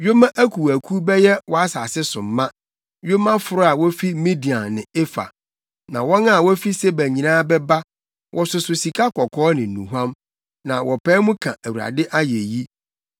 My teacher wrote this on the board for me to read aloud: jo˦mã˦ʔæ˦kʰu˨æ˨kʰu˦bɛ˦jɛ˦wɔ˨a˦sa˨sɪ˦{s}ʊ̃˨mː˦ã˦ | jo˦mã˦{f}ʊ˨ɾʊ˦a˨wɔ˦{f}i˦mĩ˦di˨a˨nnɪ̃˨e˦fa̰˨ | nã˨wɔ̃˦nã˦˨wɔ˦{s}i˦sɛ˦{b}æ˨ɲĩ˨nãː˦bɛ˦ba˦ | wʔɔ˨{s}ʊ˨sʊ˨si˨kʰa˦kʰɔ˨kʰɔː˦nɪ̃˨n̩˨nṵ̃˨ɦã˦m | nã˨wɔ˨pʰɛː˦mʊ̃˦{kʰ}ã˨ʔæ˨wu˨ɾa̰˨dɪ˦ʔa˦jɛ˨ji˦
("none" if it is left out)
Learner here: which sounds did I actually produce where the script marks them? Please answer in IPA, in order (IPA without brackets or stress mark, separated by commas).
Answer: s, f, f, f, b, s, kʰ